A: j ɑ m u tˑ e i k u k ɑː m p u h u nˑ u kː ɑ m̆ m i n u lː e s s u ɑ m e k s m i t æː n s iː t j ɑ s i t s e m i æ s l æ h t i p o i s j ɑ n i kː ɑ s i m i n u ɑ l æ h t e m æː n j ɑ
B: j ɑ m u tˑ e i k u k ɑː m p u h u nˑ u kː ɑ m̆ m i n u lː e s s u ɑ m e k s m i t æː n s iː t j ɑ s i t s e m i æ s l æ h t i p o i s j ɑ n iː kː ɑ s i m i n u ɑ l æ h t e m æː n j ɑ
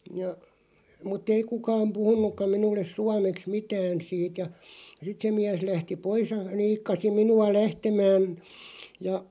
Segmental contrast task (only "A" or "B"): B